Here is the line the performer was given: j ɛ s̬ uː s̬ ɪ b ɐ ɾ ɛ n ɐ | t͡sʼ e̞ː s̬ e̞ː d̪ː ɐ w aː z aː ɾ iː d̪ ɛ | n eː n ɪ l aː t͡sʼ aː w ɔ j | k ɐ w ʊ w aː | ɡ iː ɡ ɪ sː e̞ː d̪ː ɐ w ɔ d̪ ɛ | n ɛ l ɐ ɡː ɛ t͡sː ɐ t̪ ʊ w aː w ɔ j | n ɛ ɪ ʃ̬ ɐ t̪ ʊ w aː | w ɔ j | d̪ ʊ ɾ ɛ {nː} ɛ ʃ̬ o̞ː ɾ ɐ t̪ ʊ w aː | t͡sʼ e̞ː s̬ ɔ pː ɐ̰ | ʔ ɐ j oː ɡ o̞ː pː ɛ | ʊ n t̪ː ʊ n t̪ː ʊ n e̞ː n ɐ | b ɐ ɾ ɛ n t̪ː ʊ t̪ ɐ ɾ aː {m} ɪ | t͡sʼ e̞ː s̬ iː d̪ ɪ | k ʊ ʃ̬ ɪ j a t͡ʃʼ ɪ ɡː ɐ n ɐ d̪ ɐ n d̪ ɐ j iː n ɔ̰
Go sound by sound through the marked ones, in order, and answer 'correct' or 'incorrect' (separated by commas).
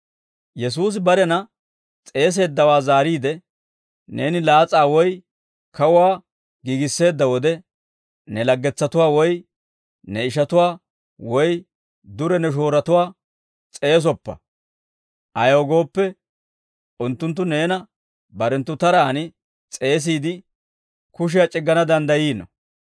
incorrect, incorrect